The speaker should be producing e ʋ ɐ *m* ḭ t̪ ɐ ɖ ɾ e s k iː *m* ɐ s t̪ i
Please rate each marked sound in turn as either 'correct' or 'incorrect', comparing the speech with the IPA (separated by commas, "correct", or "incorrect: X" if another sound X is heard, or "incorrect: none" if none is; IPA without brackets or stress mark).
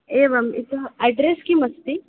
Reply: correct, correct